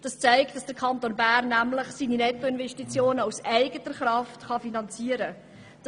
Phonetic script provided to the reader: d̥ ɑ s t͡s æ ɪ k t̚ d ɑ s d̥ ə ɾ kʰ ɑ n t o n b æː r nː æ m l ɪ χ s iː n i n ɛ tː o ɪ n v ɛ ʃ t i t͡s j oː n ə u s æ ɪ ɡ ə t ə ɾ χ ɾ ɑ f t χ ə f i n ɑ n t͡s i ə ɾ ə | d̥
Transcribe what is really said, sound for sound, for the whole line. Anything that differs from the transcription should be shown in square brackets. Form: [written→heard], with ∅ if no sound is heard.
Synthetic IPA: d̥ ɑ s t͡s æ ɪ k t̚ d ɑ s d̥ ə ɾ kʰ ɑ n t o n b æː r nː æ m l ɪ χ s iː n i n ɛ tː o ɪ n v ɛ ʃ t i t͡s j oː n ə u s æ ɪ ɡ ə t ə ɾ χ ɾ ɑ f t χ [ə→ɑ] f i n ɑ n t͡s i ə ɾ ə | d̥